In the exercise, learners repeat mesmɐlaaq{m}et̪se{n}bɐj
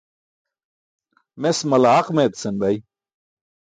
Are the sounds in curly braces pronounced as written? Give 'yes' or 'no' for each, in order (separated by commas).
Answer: yes, yes